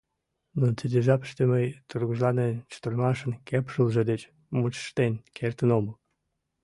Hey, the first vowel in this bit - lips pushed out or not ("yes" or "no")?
yes